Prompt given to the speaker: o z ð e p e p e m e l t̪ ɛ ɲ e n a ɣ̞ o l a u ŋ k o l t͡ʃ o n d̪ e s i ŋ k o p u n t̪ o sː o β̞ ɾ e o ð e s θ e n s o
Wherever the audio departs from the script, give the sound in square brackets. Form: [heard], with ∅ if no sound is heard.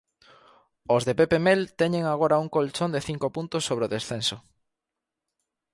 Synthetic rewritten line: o z ð e p e p e m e l t̪ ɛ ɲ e [ŋ] a ɣ̞ o [ɾ] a u ŋ k o l t͡ʃ o n d̪ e [θ] i ŋ k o p u n t̪ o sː o β̞ ɾ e o ð e s θ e n s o